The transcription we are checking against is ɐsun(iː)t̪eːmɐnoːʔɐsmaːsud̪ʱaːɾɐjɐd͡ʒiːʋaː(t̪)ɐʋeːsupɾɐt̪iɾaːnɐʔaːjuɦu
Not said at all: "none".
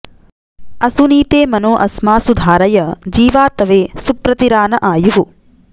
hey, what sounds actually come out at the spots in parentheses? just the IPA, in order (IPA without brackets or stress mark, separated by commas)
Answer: iː, t̪